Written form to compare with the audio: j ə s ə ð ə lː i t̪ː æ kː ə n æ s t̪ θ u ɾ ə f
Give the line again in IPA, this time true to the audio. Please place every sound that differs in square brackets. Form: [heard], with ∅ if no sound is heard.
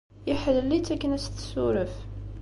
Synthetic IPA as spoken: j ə [ħ] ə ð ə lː i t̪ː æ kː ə n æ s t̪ [s] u ɾ ə f